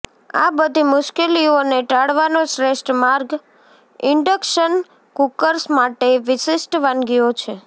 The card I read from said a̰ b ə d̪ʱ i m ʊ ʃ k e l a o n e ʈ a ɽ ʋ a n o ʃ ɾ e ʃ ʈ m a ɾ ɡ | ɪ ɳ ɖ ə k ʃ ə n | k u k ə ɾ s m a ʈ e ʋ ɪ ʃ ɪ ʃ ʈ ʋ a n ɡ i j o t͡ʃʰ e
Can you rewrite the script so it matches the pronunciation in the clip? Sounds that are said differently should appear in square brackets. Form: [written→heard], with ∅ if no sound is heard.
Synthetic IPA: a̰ b ə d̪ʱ i m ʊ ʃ k e l [a→i] o n e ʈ a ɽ ʋ a n o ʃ ɾ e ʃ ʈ m a ɾ ɡ | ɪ ɳ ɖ ə k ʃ ə n | k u k ə ɾ s m a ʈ e ʋ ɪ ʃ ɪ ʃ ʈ ʋ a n ɡ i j o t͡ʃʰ e